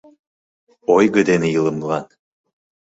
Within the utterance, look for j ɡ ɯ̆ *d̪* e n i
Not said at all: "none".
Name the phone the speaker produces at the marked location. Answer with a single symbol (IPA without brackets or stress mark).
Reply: d̪